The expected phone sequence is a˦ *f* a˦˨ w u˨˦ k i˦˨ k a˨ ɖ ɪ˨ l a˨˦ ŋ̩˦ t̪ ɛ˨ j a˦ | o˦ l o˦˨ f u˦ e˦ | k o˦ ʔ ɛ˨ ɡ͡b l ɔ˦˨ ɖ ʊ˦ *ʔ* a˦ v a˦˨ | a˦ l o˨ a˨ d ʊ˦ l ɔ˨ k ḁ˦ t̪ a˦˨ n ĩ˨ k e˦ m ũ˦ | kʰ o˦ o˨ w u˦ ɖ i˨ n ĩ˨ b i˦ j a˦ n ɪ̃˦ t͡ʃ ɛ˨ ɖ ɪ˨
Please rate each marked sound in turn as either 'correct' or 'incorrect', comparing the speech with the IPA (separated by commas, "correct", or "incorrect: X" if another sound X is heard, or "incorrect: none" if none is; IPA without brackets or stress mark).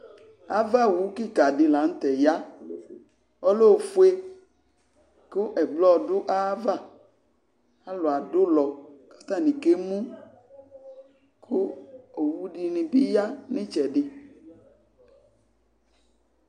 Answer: incorrect: v, correct